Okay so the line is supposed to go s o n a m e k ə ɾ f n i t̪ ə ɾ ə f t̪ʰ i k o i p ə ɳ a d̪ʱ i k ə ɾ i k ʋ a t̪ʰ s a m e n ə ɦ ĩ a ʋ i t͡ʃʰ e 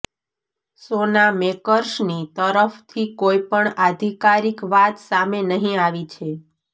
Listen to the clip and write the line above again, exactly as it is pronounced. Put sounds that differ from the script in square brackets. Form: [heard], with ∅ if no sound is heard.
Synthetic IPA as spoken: s o n a m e k ə ɾ [ʃ] n i t̪ ə ɾ ə f t̪ʰ i k o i p ə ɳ a d̪ʱ i k [a] ɾ i k ʋ a [t̪] s a m e n ə ɦ ĩ a ʋ i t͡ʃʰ e